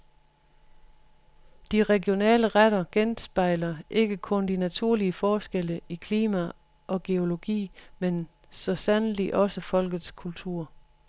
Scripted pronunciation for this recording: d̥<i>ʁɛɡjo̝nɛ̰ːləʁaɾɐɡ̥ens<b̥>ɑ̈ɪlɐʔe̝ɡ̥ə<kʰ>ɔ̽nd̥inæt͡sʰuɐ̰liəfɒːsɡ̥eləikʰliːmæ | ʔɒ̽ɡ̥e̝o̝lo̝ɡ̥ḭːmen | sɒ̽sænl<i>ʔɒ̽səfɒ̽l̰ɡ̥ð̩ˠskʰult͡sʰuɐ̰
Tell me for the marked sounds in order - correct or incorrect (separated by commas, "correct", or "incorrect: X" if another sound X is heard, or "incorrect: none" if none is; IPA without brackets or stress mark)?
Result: correct, correct, correct, correct